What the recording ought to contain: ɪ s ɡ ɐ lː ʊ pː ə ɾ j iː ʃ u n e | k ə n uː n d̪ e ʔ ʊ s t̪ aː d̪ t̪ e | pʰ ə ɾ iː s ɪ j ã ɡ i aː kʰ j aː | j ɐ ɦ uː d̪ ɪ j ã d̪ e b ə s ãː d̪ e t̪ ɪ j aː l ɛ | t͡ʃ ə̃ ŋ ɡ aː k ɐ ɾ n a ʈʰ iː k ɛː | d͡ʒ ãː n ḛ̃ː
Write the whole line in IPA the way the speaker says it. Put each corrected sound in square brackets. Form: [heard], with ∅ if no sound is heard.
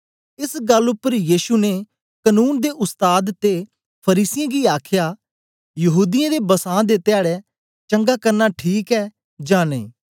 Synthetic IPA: ɪ s ɡ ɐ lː ʊ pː ə ɾ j iː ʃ u n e | k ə n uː n d̪ e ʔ ʊ s t̪ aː d̪ t̪ e | pʰ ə ɾ iː s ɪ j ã ɡ i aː kʰ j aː | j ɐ ɦ uː d̪ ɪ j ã d̪ e b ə s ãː d̪ e t̪ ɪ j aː [ɽ] ɛ | t͡ʃ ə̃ ŋ ɡ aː k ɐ ɾ n a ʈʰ iː k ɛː | d͡ʒ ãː n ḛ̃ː